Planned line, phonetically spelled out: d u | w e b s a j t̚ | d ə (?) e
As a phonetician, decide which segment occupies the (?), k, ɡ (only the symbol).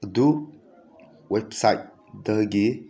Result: ɡ